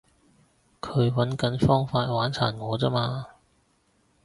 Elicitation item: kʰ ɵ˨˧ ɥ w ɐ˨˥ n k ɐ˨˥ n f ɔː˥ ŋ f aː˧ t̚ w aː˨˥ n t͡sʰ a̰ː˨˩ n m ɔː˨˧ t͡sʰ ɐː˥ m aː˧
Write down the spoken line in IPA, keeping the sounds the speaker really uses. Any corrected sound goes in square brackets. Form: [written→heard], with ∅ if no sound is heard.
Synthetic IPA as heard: kʰ ɵ˨˧ ɥ w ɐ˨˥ n k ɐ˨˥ n f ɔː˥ ŋ f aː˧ t̚ w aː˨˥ n t͡sʰ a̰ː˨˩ n [m→ŋ] ɔː˨˧ [t͡sʰ→t͡s] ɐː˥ m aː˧